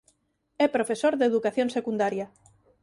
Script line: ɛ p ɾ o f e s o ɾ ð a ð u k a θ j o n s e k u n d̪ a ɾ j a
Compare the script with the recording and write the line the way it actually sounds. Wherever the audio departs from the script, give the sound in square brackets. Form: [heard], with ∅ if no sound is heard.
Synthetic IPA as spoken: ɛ p ɾ o f e s o ɾ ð [e] ð u k a θ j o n s e k u n d̪ a ɾ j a